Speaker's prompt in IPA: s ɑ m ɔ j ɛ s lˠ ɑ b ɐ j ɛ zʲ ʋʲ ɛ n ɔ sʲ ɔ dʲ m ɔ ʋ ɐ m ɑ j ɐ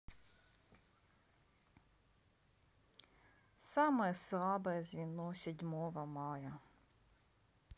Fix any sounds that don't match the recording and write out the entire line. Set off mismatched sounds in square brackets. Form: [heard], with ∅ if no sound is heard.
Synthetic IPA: s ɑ m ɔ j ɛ s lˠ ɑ b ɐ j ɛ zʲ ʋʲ [i] n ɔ sʲ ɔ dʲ m ɔ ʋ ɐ m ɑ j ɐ